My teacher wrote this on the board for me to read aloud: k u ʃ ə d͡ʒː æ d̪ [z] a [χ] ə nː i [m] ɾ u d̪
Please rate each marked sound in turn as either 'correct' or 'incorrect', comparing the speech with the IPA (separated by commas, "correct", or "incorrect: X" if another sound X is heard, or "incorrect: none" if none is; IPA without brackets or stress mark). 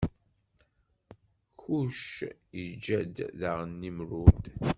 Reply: incorrect: ð, incorrect: ʁ, correct